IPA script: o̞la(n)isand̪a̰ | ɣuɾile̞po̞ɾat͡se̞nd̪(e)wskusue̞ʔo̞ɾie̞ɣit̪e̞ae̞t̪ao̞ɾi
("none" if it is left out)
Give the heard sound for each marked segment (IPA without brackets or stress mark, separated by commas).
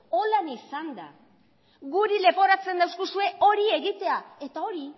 n, a